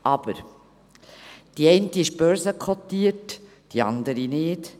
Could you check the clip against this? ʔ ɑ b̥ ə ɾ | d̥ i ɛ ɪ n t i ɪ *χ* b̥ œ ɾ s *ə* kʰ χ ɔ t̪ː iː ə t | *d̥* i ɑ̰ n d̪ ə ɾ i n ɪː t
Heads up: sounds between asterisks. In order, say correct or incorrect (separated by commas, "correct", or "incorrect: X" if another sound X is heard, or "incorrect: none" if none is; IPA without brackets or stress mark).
incorrect: ʃ, correct, correct